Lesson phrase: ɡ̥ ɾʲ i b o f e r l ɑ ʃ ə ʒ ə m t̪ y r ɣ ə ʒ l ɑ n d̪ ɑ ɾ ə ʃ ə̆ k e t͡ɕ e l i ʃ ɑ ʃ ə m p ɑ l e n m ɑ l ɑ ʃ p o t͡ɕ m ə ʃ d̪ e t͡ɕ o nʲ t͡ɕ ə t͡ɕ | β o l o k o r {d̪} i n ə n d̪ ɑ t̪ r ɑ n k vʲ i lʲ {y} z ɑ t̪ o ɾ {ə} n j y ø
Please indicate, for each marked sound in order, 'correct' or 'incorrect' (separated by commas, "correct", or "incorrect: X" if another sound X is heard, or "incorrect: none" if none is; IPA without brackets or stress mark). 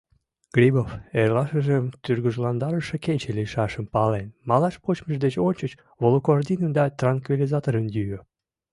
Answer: correct, incorrect: i, correct